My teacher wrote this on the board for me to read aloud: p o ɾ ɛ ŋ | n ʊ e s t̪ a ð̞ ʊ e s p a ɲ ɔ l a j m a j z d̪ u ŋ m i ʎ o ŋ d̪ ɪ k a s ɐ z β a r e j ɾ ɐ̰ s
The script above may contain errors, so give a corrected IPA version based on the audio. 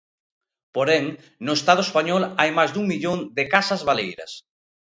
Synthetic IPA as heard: p o ɾ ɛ ŋ | n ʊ e s t̪ a ð̞ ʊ e s p a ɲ ɔ l a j m a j z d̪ u ŋ m i ʎ o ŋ d̪ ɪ k a s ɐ z β a l e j ɾ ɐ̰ s